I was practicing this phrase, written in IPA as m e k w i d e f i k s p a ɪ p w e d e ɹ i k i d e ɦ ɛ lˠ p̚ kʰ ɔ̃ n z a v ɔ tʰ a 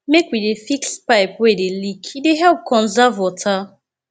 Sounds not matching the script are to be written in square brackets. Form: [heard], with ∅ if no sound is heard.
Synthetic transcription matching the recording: m e k w i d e f i k s p a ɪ p w e d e [l] i k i d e ɦ ɛ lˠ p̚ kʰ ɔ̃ n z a v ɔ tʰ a